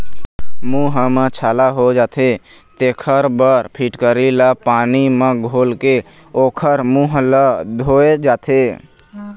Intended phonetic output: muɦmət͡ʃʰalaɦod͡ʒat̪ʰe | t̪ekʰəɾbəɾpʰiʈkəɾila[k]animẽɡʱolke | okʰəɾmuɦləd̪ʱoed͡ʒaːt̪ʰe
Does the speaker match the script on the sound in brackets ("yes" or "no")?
no